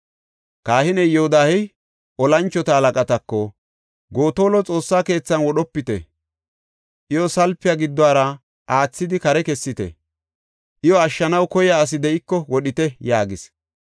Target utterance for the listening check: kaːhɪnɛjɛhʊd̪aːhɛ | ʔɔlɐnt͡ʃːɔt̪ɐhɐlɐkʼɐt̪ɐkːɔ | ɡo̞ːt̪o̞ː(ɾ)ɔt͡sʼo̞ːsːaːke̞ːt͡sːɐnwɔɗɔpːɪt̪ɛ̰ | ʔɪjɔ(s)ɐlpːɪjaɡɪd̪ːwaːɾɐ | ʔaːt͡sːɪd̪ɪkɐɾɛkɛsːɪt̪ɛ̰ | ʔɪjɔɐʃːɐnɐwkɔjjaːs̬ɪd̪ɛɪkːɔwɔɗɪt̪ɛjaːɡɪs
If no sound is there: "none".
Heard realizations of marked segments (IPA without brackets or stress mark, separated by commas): l, s